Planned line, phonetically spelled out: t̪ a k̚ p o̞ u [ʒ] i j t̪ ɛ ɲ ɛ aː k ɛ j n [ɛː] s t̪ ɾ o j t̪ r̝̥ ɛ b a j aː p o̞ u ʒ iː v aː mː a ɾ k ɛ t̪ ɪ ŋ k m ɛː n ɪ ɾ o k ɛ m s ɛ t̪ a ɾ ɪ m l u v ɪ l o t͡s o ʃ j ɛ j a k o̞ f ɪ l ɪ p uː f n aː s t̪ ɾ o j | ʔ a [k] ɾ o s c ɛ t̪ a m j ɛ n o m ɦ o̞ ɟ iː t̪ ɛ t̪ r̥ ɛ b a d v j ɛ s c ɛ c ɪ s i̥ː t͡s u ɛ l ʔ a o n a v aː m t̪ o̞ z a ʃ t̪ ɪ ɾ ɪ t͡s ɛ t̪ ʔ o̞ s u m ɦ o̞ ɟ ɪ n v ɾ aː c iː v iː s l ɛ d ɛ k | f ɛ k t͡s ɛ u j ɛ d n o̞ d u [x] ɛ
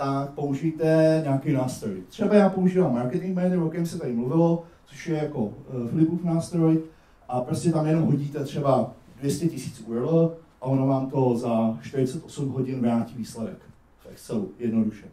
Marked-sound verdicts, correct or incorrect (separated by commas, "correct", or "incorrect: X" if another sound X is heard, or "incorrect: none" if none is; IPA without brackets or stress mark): correct, incorrect: aː, incorrect: p, incorrect: ʃ